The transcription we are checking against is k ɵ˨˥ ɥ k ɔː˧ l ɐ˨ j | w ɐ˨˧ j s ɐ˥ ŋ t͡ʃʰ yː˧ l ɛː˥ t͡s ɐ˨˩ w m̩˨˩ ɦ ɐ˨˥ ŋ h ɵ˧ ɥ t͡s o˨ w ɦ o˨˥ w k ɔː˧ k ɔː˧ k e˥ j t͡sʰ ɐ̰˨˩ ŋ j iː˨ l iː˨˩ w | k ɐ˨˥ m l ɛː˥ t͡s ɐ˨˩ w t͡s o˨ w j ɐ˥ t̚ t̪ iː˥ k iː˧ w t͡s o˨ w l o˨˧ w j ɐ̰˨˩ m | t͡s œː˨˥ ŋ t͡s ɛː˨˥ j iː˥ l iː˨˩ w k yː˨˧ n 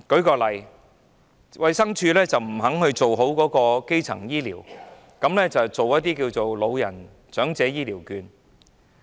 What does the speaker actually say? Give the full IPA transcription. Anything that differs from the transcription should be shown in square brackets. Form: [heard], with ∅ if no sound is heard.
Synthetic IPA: k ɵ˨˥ ɥ k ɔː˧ l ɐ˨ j | w ɐ˨˧ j s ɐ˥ ŋ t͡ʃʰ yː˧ l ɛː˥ t͡s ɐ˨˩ w m̩˨˩ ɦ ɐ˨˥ ŋ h ɵ˧ ɥ t͡s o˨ w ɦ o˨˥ w k [ɔː˨˥] k ɔː˧ k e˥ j t͡sʰ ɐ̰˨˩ ŋ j [iː˥] l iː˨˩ w | k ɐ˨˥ m l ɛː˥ t͡s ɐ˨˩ w t͡s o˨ w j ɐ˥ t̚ t̪ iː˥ k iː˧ w t͡s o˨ w l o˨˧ w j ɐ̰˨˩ [n] | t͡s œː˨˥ ŋ t͡s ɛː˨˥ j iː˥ l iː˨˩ w k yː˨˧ n